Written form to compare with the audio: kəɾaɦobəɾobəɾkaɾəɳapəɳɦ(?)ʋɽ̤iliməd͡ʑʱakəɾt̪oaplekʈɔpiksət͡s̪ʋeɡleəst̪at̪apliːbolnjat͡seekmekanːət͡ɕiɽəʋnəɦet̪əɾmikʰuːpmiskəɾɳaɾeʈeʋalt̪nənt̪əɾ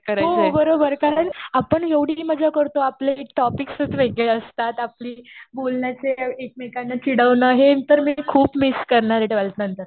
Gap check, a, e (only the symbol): e